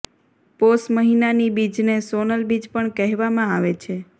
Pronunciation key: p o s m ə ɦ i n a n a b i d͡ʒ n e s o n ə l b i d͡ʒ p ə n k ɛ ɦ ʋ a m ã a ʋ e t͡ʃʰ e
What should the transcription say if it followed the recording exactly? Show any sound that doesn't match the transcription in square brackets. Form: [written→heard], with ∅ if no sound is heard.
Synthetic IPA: p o s m ə ɦ i n a n [a→i] b i d͡ʒ n e s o n ə l b i d͡ʒ p ə [n→ɳ] k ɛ ɦ ʋ a m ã a ʋ e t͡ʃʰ e